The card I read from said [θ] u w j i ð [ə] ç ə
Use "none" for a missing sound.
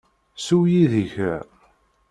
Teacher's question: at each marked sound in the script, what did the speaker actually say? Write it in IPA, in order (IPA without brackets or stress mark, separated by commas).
s, ə